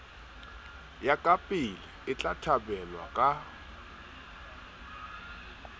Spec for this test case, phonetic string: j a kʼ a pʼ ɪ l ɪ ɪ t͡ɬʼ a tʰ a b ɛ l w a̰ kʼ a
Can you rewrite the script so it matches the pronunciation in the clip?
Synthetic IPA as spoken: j a kʼ a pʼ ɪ l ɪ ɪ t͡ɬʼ a tʰ a b ɛ l w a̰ kʼ a